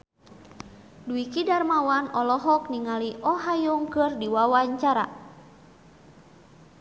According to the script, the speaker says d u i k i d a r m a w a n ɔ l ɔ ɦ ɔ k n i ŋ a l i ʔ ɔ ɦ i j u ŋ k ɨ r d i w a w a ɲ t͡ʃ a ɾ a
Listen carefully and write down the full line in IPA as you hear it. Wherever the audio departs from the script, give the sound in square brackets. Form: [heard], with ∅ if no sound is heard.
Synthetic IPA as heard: d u i k i d a r m a w a n ɔ l ɔ ɦ ɔ k n i ŋ a l i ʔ ɔ ɦ [a] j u ŋ k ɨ r d i w a w a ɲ t͡ʃ a ɾ a